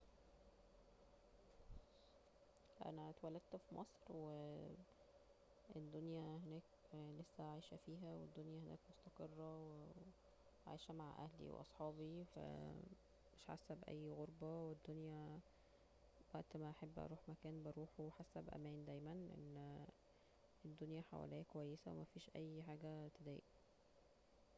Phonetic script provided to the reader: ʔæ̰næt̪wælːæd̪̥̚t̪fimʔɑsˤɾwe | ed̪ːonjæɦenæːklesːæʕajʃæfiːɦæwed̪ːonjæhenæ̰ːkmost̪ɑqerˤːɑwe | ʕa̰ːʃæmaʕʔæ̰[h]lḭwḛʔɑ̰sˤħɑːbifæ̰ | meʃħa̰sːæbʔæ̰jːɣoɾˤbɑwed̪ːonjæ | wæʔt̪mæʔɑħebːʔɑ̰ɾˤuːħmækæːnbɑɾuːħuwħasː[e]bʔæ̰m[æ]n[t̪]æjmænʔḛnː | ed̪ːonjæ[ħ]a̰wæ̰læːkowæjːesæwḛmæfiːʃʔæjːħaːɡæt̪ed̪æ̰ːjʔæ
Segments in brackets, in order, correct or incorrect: correct, incorrect, incorrect, incorrect, correct

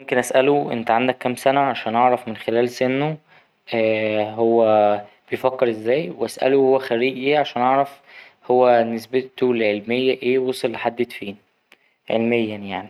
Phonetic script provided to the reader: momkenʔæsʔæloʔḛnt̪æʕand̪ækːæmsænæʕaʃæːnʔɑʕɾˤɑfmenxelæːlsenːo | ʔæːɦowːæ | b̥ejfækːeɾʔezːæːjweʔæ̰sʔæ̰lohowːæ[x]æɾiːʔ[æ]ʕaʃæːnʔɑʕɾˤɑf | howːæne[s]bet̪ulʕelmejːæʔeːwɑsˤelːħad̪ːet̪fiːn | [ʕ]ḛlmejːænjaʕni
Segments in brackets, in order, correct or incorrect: correct, incorrect, correct, correct

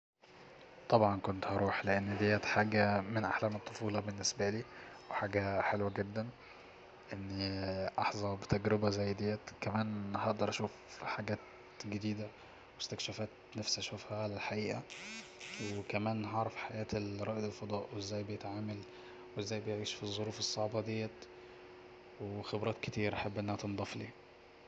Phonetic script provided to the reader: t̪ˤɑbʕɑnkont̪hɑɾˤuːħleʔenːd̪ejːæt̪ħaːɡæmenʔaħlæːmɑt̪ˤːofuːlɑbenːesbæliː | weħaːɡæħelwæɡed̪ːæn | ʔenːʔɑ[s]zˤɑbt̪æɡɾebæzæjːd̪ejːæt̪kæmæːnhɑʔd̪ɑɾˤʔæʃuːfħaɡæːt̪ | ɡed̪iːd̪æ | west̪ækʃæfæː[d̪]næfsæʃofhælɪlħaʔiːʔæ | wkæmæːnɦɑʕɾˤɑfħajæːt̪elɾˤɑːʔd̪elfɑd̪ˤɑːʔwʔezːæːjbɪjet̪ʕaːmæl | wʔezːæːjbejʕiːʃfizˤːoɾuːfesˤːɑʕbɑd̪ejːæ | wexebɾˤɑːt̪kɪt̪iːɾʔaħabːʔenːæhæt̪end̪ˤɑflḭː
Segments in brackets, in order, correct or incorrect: incorrect, incorrect

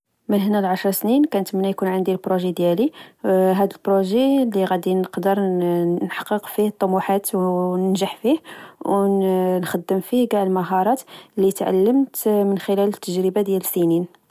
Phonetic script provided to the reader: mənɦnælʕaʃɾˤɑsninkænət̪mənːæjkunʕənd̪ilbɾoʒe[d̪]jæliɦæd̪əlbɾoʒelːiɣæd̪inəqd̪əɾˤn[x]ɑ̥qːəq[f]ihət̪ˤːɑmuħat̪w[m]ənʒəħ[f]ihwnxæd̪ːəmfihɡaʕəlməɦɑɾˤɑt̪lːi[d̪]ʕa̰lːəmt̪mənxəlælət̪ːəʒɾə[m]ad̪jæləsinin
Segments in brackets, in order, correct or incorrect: correct, incorrect, correct, incorrect, correct, incorrect, incorrect

